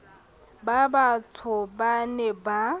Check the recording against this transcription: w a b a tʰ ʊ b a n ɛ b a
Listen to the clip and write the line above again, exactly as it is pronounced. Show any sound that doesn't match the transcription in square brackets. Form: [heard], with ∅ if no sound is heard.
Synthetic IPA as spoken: [b] a b a tʰ ʊ b a n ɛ b a